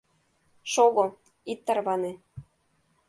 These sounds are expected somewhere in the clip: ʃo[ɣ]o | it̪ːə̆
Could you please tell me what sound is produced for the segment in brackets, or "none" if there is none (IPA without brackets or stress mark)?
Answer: ɣ